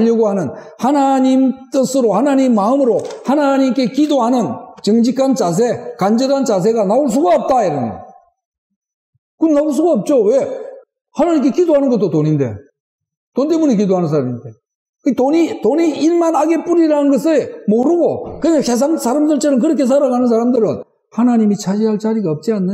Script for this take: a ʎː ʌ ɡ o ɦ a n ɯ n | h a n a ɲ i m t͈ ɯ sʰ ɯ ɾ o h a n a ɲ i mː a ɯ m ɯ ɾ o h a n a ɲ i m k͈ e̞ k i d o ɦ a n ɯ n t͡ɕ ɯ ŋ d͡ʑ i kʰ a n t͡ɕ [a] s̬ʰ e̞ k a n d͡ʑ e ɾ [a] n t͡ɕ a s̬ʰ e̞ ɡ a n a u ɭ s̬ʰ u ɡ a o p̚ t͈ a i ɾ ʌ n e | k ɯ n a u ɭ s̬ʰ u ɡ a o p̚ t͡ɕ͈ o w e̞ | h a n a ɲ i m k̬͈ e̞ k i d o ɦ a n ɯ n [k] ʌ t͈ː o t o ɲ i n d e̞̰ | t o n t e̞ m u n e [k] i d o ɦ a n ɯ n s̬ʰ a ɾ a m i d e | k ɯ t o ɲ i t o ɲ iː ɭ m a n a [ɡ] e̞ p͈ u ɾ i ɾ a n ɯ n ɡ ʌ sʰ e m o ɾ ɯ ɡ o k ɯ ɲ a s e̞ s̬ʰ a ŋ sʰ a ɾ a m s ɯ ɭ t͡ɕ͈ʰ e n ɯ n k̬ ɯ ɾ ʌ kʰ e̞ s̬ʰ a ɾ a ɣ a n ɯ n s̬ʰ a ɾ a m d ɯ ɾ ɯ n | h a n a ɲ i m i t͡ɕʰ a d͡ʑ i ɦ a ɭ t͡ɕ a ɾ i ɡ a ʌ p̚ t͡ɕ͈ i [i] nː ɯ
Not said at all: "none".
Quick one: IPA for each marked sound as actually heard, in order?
a, a, ɡ, k, ɡ, a

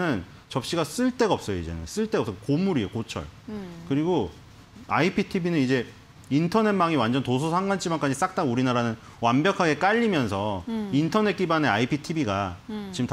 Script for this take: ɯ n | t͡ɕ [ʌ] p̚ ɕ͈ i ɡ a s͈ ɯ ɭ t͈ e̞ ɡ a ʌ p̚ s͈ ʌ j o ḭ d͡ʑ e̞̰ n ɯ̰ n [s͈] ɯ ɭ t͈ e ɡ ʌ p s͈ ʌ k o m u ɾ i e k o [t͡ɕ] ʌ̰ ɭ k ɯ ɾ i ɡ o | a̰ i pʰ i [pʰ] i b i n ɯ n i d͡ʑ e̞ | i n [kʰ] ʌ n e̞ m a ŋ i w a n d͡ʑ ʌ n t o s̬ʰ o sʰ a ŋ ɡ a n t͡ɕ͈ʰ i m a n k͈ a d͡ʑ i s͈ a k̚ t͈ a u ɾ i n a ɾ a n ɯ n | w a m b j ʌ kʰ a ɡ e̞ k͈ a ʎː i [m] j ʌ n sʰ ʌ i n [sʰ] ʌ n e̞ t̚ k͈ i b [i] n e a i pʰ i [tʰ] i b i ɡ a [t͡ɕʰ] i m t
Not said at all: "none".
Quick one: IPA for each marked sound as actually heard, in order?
ʌ, s͈, t͡ɕʰ, tʰ, tʰ, m, tʰ, a, tʰ, t͡ɕ

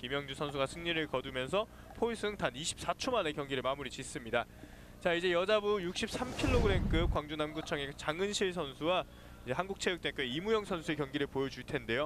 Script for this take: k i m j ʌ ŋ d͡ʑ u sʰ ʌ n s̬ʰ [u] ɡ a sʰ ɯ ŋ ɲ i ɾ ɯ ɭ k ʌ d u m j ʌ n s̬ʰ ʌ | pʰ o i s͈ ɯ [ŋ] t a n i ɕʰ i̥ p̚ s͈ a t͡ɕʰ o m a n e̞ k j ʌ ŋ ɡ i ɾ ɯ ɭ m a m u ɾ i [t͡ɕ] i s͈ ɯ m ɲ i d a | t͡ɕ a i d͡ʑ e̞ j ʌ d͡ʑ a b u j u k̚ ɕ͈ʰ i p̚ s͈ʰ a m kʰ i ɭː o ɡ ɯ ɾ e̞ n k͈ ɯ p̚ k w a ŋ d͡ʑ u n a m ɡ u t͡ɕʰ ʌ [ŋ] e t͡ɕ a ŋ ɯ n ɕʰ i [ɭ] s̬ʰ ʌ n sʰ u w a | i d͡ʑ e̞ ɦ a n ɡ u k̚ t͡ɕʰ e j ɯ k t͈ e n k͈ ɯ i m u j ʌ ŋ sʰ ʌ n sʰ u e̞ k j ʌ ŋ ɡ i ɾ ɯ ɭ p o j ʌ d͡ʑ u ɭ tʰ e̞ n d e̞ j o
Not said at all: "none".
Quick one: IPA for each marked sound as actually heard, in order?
u, ŋ, t͡ɕ, ŋ, ɭ

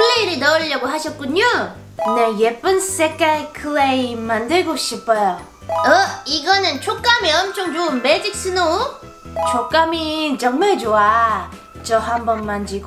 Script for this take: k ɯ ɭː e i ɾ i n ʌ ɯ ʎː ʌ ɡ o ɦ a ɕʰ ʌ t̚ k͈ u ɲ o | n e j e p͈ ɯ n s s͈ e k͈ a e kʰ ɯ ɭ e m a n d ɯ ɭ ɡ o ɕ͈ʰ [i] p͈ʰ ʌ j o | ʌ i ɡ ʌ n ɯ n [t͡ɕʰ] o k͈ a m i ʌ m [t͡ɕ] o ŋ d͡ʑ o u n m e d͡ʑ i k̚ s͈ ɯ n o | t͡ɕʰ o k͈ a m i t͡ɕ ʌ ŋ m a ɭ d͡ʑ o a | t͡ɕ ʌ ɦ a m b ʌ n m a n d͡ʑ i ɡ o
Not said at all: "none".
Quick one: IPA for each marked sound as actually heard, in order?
i, t͡ɕʰ, t͡ɕʰ

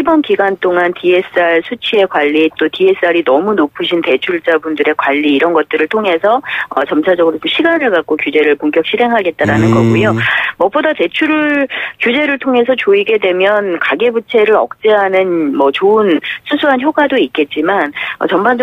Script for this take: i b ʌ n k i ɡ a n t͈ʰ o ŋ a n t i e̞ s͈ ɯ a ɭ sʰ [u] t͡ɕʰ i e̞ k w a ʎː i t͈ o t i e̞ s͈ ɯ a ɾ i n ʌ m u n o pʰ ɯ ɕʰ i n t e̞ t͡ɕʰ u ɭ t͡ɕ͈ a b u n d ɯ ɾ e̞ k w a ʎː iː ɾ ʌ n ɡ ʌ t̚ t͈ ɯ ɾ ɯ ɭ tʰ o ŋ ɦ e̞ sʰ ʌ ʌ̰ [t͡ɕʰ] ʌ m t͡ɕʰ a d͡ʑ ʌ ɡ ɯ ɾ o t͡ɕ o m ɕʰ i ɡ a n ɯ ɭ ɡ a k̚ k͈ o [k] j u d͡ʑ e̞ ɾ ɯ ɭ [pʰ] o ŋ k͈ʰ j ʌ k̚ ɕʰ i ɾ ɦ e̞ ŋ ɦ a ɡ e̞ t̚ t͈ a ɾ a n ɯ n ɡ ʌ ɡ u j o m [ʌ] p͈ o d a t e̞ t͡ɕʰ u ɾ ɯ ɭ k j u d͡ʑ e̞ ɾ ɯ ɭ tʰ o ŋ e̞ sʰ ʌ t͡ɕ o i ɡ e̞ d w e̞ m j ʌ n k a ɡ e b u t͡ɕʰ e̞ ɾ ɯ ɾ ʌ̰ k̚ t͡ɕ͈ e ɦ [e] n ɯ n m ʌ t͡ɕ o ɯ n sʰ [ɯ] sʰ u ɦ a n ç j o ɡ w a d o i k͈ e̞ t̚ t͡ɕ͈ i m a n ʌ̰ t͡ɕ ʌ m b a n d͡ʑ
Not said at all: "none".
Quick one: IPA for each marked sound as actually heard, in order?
u, t͡ɕ, k, p, ʌ, a, u

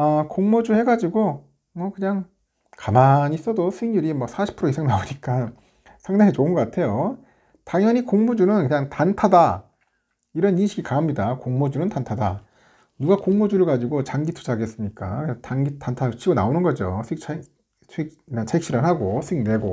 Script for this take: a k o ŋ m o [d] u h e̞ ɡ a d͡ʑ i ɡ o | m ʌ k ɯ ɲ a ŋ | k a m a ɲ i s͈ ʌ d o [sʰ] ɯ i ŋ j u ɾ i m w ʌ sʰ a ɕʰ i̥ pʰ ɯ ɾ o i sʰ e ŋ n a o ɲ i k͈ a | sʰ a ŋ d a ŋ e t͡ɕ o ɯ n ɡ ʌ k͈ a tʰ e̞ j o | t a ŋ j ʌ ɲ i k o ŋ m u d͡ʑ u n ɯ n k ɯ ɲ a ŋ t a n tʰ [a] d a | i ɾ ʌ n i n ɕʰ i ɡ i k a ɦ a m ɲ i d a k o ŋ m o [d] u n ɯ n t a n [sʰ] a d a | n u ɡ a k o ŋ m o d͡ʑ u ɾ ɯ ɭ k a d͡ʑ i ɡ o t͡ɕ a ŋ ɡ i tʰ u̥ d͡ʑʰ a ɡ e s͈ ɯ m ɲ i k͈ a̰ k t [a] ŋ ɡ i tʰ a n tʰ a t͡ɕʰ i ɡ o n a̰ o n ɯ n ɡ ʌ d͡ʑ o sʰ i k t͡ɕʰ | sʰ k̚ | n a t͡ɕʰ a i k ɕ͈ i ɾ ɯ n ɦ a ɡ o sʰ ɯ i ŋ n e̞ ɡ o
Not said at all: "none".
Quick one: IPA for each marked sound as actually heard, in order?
d͡ʑ, sʰ, a, d͡ʑ, tʰ, a

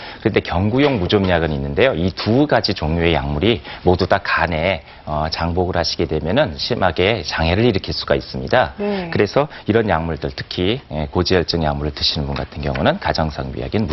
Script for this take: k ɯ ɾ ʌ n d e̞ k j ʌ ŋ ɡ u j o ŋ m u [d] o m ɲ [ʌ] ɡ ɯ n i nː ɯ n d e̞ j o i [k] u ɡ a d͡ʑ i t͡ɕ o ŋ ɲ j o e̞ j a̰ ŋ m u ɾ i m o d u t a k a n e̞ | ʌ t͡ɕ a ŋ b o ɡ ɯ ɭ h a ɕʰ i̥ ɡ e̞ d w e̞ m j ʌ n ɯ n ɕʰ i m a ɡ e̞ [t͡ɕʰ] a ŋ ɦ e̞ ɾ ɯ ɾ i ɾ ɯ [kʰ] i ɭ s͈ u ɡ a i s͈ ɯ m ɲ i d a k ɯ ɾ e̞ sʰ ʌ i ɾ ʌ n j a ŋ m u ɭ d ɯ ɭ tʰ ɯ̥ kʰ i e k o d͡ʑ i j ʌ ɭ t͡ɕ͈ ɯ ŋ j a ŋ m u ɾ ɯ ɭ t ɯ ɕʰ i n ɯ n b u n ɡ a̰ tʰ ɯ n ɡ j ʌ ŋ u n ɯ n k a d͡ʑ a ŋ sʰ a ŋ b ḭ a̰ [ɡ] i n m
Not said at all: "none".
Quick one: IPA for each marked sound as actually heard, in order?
d͡ʑ, a, t, t͡ɕ, kʰ, ɡ

